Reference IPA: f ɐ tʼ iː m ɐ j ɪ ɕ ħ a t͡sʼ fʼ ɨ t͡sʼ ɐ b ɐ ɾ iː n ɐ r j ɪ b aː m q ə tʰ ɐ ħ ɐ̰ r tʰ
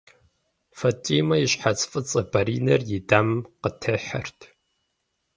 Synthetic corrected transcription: f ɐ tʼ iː m ɐ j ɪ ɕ ħ a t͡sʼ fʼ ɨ t͡sʼ ɐ b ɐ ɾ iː n ɐ r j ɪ d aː m q ə tʰ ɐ ħ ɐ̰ r tʰ